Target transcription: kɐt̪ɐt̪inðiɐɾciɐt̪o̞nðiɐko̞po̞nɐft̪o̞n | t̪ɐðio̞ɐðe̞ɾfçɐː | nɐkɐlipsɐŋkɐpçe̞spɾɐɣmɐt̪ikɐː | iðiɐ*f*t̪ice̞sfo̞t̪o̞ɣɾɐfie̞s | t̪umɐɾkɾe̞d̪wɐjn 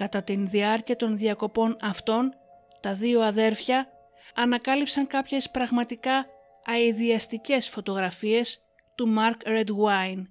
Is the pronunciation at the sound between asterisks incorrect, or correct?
incorrect